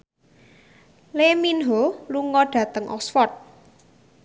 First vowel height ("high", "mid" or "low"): mid